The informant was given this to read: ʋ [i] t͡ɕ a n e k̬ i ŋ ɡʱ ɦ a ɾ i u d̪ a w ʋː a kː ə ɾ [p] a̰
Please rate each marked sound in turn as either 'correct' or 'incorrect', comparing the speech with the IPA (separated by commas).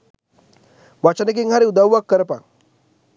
incorrect, correct